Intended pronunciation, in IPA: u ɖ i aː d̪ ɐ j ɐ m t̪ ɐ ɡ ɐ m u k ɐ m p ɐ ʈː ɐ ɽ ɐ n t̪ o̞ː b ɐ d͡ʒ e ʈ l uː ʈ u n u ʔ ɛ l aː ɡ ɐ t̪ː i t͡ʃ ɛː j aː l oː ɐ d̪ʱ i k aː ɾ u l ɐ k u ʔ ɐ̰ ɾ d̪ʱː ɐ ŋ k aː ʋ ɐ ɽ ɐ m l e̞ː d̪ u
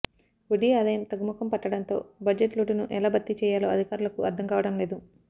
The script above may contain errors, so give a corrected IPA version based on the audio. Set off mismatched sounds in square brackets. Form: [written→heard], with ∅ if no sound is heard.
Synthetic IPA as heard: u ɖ i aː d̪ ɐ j ɐ m t̪ ɐ ɡ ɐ m u k ɐ m p ɐ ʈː ɐ ɽ ɐ n t̪ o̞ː b ɐ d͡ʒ e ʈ l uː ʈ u n u ʔ ɛ l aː [ɡ→b] ɐ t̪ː i t͡ʃ ɛː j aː l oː ɐ d̪ʱ i k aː ɾ u l ɐ k u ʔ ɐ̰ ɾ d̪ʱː ɐ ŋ k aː ʋ ɐ ɽ ɐ m l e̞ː d̪ u